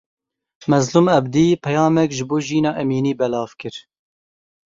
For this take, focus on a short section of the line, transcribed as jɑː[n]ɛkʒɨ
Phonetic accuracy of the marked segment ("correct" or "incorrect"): incorrect